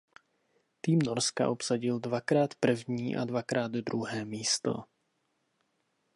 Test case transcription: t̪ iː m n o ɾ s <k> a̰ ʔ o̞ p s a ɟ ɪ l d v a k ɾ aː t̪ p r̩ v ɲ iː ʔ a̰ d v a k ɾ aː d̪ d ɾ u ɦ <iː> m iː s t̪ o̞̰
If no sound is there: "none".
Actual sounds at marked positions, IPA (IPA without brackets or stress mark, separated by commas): k, ɛː